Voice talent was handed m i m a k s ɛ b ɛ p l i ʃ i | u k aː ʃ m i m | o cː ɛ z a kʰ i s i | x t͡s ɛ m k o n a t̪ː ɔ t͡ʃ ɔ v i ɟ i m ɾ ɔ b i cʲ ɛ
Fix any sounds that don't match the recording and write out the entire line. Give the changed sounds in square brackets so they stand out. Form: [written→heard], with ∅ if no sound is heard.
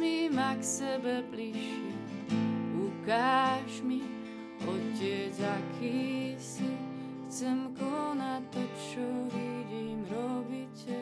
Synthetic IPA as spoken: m i m a k s ɛ b ɛ p l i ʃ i | u k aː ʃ m i [m→∅] | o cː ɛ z a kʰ i s i | x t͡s ɛ m k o n a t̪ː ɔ t͡ʃ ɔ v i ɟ i m ɾ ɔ b i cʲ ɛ